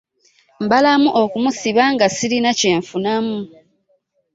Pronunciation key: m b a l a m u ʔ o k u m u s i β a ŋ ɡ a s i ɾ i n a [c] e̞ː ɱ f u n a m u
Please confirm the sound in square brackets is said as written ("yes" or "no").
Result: yes